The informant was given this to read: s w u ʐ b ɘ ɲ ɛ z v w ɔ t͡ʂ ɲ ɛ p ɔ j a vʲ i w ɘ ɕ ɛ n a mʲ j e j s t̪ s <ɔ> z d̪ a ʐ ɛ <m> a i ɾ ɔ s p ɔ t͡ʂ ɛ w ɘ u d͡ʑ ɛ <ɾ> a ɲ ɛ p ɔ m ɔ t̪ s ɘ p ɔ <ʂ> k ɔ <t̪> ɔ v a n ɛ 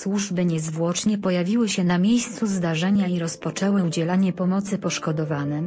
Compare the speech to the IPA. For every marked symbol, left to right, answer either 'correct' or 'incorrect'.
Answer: incorrect: u, incorrect: ɲ, incorrect: l, correct, incorrect: d̪

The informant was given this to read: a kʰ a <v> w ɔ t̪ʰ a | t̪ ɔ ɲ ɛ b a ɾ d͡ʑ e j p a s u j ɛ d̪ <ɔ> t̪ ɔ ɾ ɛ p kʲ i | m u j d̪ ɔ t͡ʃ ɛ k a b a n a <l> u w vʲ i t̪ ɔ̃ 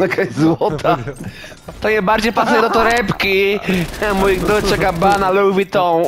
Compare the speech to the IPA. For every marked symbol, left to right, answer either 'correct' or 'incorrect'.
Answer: incorrect: z, correct, correct

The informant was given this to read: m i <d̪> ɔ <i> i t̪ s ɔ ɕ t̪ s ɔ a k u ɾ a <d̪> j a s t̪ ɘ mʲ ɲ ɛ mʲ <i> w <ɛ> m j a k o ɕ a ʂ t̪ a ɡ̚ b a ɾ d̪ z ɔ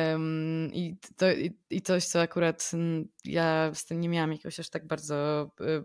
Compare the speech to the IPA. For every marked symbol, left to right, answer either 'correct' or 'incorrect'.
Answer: incorrect: t̪, correct, incorrect: t̪, incorrect: a, incorrect: a

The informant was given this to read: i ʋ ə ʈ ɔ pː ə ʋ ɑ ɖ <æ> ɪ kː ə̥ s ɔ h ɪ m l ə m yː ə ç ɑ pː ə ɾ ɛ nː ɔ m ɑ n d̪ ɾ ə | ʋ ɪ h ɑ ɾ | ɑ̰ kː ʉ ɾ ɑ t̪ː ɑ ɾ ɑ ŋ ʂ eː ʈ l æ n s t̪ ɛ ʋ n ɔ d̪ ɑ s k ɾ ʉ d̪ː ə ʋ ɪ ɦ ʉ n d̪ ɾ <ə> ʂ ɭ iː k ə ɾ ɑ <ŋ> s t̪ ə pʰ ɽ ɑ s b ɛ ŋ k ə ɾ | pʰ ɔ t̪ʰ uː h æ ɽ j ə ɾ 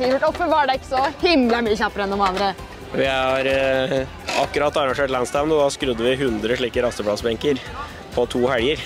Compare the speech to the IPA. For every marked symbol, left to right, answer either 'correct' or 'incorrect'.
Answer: incorrect: ɛ, correct, incorrect: none

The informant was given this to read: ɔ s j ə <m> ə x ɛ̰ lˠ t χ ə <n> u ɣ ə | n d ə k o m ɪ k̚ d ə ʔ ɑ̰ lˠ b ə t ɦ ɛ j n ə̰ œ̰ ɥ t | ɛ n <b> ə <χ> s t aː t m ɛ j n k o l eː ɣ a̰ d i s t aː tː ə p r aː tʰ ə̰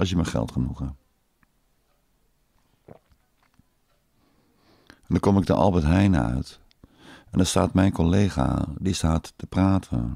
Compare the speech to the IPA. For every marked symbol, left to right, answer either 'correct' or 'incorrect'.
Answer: correct, correct, incorrect: d, incorrect: none

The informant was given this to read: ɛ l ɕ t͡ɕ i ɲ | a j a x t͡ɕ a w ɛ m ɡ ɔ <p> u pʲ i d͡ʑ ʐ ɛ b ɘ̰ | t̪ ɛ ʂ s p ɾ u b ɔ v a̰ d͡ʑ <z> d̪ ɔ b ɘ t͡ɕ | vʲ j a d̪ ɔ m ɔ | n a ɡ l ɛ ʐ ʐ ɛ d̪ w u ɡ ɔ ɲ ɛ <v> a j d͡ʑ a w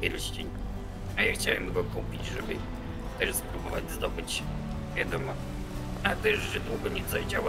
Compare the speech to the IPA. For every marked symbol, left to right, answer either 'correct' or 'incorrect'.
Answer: incorrect: k, correct, incorrect: z

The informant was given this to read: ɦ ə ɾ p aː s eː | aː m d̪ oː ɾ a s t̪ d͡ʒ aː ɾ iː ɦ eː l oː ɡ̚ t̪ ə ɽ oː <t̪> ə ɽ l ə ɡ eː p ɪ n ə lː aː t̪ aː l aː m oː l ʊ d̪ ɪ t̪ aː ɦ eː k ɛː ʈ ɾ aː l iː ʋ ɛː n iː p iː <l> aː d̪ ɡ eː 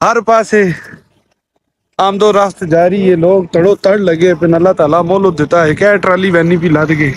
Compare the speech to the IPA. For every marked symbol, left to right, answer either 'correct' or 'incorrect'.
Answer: correct, correct

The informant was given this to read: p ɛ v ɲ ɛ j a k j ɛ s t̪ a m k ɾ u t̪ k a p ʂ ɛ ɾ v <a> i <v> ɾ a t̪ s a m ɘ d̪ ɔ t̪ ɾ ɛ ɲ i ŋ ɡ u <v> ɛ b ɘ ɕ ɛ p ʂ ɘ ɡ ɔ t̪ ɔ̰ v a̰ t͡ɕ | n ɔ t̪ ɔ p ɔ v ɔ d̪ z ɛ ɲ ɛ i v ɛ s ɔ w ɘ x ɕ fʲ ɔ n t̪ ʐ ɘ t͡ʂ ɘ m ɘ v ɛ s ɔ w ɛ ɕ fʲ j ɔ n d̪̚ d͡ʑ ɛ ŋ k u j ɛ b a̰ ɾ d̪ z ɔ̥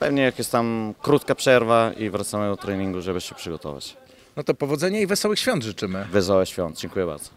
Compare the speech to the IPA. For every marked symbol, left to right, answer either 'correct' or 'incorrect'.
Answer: correct, correct, incorrect: ʐ

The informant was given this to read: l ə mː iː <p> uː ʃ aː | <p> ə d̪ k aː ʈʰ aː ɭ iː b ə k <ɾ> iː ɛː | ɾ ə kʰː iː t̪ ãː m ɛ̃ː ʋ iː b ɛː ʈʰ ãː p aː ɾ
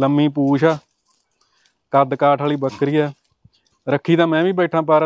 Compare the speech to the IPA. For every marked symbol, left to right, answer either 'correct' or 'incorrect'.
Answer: correct, incorrect: k, correct

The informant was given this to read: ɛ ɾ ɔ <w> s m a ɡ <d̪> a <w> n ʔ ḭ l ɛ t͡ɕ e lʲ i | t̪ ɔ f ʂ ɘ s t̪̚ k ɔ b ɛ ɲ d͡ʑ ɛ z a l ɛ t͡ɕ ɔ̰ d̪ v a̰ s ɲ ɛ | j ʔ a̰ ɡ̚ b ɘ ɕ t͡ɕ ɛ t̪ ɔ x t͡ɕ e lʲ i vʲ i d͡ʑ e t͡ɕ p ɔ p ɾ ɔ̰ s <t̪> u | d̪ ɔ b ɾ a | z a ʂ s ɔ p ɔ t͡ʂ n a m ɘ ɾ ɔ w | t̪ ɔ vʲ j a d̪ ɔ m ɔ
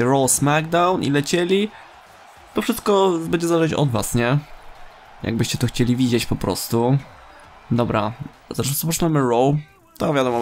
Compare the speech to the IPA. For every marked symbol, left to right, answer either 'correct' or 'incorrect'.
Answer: correct, correct, correct, correct

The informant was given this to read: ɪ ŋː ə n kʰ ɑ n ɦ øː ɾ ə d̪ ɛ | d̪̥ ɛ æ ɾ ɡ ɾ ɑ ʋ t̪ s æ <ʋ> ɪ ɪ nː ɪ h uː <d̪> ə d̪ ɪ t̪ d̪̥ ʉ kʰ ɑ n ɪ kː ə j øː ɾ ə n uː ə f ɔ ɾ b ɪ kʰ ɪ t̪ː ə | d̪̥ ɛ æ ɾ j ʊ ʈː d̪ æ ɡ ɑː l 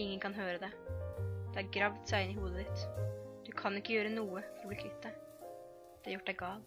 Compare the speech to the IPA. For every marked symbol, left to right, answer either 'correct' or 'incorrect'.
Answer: incorrect: none, correct

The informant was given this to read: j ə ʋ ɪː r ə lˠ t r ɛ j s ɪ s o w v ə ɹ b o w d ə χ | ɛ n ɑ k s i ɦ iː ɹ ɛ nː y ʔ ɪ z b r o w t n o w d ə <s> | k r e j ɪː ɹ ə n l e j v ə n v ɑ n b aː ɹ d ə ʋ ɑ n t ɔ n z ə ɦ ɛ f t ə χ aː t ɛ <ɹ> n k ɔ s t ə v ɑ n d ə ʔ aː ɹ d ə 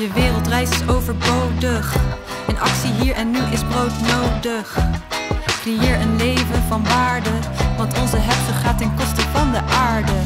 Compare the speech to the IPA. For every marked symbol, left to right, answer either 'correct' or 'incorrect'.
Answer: incorrect: χ, incorrect: none

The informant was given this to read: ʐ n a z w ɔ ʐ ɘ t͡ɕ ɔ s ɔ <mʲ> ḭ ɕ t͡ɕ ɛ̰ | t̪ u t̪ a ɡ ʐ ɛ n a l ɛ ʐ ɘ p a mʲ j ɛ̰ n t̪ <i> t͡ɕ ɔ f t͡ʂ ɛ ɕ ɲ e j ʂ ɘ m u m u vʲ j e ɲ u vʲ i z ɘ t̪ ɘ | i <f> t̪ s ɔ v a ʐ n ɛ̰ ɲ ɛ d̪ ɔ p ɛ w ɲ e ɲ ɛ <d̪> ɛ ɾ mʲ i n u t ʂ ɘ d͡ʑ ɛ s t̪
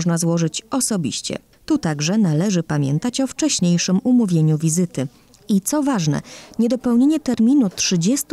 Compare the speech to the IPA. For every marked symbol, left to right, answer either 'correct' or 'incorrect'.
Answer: incorrect: bʲ, incorrect: a, incorrect: none, incorrect: t̪

